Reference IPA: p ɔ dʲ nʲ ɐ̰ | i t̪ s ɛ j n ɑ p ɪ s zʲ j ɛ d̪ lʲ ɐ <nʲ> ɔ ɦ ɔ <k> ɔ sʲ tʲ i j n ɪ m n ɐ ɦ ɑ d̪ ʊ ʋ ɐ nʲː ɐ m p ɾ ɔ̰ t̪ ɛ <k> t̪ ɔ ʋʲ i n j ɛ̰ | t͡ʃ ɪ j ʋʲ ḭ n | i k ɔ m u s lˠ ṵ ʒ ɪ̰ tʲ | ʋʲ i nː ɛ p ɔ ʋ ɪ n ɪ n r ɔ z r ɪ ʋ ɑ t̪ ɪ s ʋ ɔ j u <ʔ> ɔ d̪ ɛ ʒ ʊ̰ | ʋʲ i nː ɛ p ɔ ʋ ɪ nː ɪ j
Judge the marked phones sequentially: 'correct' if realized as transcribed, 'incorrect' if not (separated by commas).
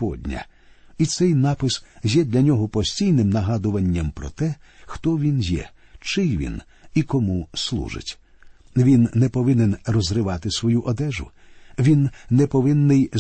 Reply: correct, incorrect, incorrect, correct